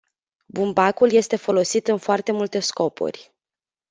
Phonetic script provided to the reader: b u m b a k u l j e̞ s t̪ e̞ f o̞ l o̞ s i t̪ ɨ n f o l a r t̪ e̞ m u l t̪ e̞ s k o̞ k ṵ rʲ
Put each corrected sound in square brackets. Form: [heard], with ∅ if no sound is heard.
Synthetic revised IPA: b u m b a k u l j e̞ s t̪ e̞ f o̞ l o̞ s i t̪ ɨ n f o [∅] a r t̪ e̞ m u l t̪ e̞ s k o̞ [p] ṵ rʲ

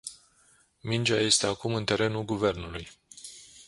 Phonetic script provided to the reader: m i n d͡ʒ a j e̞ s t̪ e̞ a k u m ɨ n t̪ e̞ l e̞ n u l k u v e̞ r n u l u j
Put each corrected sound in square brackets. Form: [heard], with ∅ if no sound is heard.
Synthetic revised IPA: m i n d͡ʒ a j e̞ s t̪ e̞ a k u m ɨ n t̪ e̞ [ɾ] e̞ n u l [ɡ] u v e̞ r n u l u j

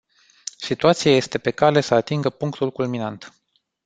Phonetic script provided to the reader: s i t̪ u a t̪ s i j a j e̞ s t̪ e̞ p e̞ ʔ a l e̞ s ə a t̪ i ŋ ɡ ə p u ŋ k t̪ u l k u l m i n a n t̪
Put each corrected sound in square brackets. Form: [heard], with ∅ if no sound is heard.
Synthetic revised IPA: s i t̪ u a t̪ s i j a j e̞ s t̪ e̞ p e̞ [k] a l e̞ s ə a t̪ i ŋ ɡ ə p u ŋ k t̪ u l k u l m i n a n t̪

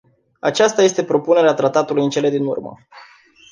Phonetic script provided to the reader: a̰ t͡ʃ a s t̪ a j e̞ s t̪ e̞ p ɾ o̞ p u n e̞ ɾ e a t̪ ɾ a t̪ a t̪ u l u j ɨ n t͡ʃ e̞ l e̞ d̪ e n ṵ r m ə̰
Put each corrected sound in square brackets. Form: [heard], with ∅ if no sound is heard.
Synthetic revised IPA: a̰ t͡ʃ a s t̪ a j e̞ s t̪ e̞ p ɾ o̞ p u n e̞ ɾ e a t̪ ɾ a t̪ a t̪ u l u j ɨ n t͡ʃ e̞ l e̞ d̪ [i] n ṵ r m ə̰

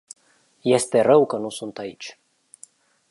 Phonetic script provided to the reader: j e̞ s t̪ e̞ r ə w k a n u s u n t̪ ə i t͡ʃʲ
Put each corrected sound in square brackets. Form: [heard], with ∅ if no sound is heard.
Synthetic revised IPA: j e̞ s t̪ e̞ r ə w k [ə] n u s u n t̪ [a] i t͡ʃʲ

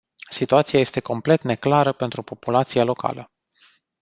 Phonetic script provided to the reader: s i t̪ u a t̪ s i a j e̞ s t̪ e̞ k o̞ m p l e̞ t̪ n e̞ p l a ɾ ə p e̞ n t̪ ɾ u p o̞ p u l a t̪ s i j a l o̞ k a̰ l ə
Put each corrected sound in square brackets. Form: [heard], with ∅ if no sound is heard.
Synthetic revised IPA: s i t̪ u a t̪ s i a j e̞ s t̪ e̞ k o̞ m p l e̞ t̪ n e̞ [k] l a ɾ ə p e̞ n t̪ ɾ u p o̞ p u l a t̪ s i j a l o̞ k a̰ l ə

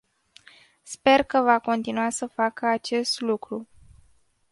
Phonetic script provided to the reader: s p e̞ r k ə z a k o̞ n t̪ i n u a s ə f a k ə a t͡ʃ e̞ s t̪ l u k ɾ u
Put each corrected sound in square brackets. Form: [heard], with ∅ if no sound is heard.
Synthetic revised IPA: s p e̞ r k ə [v] a k o̞ n t̪ i n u a s ə f a k ə a t͡ʃ e̞ s t̪ l u k ɾ u

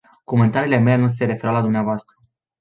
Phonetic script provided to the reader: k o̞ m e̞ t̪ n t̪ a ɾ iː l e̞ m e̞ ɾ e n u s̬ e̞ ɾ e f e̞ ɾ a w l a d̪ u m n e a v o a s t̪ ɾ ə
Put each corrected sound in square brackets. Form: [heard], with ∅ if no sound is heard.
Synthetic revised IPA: k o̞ m e̞ [∅] n t̪ a ɾ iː l e̞ m e̞ [l] e n u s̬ e̞ ɾ e f e̞ ɾ a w l a d̪ u m n e a v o a s t̪ ɾ ə

